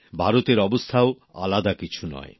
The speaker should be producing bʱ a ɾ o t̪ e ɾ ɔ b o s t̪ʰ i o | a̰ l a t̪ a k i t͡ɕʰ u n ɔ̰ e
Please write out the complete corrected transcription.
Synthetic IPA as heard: bʱ a ɾ o t̪ e ɾ ɔ b o s t̪ʰ a o | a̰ l a d̪ a k i t͡ɕʰ u n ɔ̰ e